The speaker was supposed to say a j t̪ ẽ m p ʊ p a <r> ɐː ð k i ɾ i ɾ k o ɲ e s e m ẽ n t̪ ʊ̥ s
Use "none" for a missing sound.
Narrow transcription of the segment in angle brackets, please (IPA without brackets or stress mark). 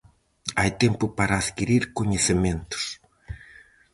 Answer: ɾ